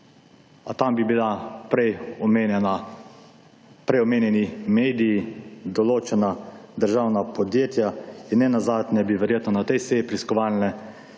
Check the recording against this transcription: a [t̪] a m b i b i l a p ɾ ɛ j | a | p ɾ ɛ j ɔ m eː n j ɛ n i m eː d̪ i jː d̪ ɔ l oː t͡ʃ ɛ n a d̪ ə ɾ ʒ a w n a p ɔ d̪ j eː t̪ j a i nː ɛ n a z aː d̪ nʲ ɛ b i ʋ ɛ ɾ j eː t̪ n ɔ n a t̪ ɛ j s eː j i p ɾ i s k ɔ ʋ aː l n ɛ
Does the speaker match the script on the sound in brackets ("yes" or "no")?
yes